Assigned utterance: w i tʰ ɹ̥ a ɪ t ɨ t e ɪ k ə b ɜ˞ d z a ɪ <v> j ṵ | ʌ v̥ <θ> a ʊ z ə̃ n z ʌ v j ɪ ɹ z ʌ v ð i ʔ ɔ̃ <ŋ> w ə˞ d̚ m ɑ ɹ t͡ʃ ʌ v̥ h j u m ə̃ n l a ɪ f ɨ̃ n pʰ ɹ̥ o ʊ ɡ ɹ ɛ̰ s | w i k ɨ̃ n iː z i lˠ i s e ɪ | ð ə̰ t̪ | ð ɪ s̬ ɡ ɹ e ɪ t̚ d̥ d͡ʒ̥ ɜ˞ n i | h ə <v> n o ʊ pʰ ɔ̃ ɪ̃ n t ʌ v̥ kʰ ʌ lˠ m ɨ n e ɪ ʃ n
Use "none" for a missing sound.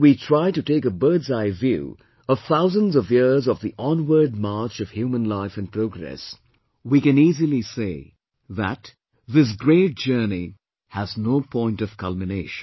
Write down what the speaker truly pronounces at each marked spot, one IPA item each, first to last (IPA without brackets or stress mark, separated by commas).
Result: v, θ, n, z